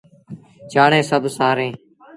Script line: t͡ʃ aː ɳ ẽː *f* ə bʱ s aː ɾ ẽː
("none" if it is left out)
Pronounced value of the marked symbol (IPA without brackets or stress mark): s